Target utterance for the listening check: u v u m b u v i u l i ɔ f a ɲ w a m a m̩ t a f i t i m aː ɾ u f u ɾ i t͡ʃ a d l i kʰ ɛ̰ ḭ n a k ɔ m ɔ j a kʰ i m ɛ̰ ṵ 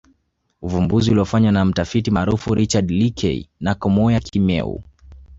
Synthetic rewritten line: u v u m b u z i u l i ɔ f a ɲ w a n a m̩ t a f i t i m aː ɾ u f u ɾ i t͡ʃ a d l i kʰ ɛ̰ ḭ n a k ɔ m ɔ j a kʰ i m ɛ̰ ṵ